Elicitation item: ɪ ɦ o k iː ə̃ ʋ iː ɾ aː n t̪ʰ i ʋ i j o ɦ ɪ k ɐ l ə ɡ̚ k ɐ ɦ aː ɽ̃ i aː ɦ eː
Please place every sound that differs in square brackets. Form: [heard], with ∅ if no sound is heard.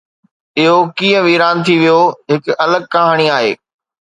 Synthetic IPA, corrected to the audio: ɪ ɦ o k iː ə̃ ʋ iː ɾ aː n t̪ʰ i ʋ i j o ɦ ɪ k ɐ l ə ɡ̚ k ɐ ɦ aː ɽ̃ i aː ɦ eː